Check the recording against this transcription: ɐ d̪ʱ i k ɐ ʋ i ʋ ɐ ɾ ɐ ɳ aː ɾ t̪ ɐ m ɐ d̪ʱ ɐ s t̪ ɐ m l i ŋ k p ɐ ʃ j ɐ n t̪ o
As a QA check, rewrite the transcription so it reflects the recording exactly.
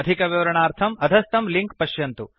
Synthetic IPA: ɐ d̪ʱ i k ɐ ʋ i ʋ ɐ ɾ ɐ ɳ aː ɾ t̪ʰ ɐ m ɐ d̪ʱ ɐ s t̪ ɐ m l i ŋ k p ɐ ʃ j ɐ n t̪ u